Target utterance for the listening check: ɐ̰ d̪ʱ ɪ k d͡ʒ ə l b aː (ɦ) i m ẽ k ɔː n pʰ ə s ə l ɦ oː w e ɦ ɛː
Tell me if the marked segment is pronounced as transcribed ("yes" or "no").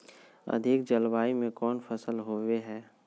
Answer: no